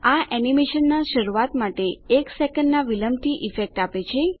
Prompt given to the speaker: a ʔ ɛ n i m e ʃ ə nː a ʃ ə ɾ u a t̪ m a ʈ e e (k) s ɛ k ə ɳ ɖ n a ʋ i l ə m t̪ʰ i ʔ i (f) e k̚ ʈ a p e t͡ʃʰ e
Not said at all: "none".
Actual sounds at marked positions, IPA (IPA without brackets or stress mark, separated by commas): k, f